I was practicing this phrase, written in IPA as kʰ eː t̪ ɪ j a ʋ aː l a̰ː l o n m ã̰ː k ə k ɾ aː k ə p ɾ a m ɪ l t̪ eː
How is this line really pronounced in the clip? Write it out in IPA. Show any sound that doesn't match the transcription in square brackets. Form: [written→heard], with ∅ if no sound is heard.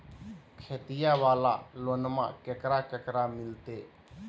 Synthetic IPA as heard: kʰ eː t̪ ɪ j a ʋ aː l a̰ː l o n m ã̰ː k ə k ɾ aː k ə [p→k] ɾ a m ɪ l t̪ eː